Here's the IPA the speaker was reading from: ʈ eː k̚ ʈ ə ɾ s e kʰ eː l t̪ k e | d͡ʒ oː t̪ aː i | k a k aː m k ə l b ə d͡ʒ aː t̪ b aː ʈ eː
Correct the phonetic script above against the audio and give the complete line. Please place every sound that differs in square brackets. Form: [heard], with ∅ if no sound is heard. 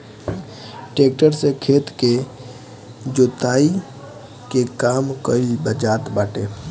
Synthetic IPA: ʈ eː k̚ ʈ ə ɾ s e kʰ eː [∅] t̪ k e | d͡ʒ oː t̪ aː i | k [e] k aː m k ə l b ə d͡ʒ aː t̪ b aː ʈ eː

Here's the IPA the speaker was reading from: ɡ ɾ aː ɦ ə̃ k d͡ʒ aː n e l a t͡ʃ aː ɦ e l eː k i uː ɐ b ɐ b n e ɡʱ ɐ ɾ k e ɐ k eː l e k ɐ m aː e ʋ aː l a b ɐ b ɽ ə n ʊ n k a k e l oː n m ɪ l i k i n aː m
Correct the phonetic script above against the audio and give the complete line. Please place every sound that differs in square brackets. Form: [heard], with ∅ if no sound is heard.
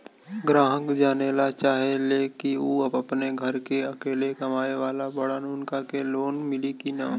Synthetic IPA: ɡ ɾ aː ɦ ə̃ k d͡ʒ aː n e l a t͡ʃ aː ɦ e l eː k i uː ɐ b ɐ [p] n e ɡʱ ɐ ɾ k e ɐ k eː l e k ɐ m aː e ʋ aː l a b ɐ [∅] ɽ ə n ʊ n k a k e l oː n m ɪ l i k i n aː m

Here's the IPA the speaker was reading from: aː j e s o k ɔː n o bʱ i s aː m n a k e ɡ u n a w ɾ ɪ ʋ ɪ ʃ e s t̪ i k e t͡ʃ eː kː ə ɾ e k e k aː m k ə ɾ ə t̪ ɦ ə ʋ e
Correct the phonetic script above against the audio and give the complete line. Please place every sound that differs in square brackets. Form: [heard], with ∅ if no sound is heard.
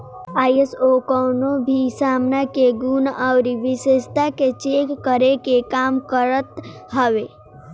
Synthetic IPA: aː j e s o k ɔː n o bʱ i s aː m n a k e ɡ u n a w ɾ [i] ʋ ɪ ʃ e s t̪ [a] k e t͡ʃ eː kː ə ɾ e k e k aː m k ə ɾ ə t̪ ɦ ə ʋ e

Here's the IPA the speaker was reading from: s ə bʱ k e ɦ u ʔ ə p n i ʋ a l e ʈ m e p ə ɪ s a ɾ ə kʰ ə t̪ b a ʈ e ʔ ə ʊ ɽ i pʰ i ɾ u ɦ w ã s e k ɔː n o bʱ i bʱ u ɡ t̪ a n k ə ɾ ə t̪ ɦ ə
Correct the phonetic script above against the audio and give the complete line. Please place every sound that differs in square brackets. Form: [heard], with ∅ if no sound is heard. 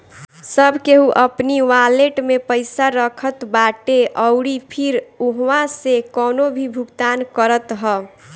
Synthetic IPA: s ə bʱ k e ɦ u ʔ ə p n i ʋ a l e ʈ m e p ə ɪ s a ɾ ə kʰ ə t̪ b a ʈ e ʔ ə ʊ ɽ i pʰ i ɾ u ɦ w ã s e k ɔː n o bʱ i bʱ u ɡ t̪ a n k ə ɾ ə t̪ ɦ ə

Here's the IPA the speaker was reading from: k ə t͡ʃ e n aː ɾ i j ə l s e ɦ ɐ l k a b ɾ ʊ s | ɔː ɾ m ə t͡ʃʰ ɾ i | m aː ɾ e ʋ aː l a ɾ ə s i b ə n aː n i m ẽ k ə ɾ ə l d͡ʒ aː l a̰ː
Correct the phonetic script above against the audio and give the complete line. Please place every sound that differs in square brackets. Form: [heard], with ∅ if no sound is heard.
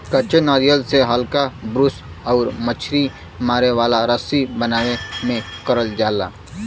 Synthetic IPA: k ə t͡ʃ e n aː ɾ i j ə l s e ɦ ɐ l k a b ɾ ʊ s | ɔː ɾ m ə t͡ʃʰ ɾ i | m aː ɾ e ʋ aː l a ɾ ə s i b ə n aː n [e] m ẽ k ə ɾ ə l d͡ʒ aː l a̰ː

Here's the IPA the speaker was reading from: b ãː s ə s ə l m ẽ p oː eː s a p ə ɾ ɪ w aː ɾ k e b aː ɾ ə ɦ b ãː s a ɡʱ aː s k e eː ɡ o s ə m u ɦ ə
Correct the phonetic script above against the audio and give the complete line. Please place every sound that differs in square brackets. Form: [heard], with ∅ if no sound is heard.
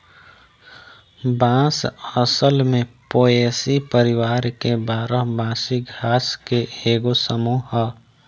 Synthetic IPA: b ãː s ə s ə l m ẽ p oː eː s [i] p ə ɾ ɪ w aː ɾ k e b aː ɾ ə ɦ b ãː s [i] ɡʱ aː s k e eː ɡ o s ə m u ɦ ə

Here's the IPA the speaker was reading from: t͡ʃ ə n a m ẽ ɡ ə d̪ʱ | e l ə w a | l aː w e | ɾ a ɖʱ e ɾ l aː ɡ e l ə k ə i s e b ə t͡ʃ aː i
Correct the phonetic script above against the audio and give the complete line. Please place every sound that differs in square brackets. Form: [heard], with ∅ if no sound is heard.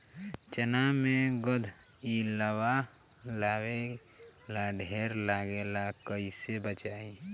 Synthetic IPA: t͡ʃ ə n a m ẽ ɡ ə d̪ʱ | [i] l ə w a | l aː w e | [l] a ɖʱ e ɾ l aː ɡ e l [a] k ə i s e b ə t͡ʃ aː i

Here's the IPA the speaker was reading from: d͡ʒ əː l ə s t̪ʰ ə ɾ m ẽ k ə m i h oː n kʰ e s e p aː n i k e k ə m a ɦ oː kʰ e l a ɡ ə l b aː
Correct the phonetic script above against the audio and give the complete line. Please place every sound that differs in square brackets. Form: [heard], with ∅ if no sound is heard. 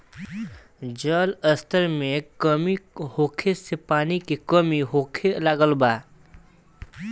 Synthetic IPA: d͡ʒ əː l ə s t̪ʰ ə ɾ m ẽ k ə m i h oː [∅] kʰ e s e p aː n i k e k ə m [i] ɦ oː kʰ e l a ɡ ə l b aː

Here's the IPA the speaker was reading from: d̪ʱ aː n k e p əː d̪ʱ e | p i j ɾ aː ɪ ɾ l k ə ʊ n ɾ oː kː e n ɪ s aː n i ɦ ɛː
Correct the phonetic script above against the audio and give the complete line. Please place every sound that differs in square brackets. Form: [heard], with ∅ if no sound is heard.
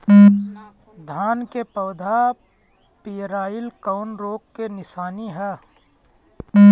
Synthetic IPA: d̪ʱ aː n k e p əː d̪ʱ [a] | p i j ɾ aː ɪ [∅] l k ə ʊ n ɾ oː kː e n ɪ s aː n i ɦ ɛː

